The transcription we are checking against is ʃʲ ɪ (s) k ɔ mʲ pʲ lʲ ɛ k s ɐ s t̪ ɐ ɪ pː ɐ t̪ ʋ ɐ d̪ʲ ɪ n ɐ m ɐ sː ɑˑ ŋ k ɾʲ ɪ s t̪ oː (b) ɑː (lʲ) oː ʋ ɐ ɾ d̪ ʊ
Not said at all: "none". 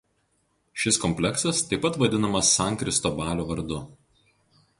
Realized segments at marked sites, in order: s, b, lʲ

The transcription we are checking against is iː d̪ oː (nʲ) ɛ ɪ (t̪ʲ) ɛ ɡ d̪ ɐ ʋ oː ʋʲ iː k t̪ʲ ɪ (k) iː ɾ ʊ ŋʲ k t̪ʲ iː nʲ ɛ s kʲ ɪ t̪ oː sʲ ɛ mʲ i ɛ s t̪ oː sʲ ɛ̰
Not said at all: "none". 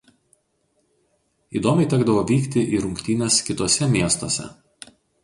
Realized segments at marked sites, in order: mʲ, t̪ʲ, ʔ

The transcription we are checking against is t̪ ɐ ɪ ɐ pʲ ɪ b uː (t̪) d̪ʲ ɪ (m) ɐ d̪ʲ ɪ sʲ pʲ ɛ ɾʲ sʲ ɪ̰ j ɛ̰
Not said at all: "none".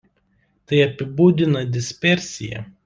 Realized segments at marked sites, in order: none, n

